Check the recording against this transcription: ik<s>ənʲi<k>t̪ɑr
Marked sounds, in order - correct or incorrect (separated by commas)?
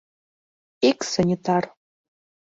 correct, incorrect